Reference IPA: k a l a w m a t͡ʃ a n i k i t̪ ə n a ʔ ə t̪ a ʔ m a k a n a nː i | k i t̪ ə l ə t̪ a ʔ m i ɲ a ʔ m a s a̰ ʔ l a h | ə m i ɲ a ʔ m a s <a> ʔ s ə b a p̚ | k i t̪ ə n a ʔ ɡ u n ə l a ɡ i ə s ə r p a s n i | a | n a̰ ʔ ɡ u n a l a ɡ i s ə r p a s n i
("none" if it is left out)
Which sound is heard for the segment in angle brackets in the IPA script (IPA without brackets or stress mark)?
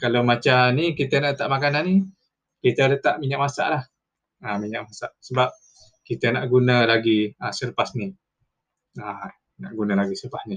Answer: a